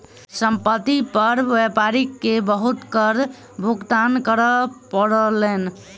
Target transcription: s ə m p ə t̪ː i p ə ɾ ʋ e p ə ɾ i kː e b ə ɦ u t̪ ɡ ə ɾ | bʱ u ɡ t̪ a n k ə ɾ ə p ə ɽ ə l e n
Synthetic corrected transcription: s ə m p ə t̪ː i p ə ɾ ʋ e p a ɾ i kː e b ə ɦ u t̪ k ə ɾ | bʱ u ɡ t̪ a n k ə ɾ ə p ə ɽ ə l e n